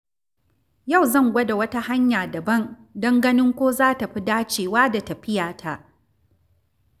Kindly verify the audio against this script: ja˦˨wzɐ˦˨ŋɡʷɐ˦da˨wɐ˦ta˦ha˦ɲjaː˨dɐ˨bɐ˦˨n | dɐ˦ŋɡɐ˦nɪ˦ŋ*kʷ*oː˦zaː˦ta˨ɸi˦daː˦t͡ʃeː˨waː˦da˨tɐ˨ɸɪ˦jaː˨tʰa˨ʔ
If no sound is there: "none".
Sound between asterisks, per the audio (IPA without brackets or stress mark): kʷ